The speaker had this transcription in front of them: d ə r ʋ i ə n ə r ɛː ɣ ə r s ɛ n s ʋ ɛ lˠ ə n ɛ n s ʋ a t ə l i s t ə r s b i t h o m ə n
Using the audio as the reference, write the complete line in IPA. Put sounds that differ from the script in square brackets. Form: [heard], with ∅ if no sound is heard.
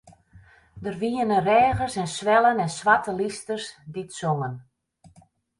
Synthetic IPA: d ə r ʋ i ə n ə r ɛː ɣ ə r s ɛ n s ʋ ɛ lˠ ə n ɛ n s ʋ a t ə l i s t ə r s [d] i t [s] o [ŋ] ə n